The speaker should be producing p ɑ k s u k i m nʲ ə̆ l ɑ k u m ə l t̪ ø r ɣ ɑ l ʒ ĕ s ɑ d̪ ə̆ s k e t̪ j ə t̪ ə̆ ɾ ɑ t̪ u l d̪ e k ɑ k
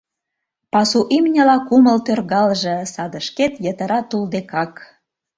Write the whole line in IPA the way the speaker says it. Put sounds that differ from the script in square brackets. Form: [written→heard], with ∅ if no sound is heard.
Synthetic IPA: p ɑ [k→∅] s u [k→ʔ] i m nʲ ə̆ l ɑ k u m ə l t̪ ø r ɣ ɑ l ʒ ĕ s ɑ d̪ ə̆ [s→ʃ] k e t̪ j ə t̪ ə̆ ɾ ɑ t̪ u l d̪ e k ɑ k